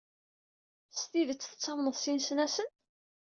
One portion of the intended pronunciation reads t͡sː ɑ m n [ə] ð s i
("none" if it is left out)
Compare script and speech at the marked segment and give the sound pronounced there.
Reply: ə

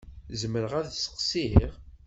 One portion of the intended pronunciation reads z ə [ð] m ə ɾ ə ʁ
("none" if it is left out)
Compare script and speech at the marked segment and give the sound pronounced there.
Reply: none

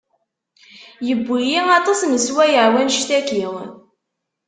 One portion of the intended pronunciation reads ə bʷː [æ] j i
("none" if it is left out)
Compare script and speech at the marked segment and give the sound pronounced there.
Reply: i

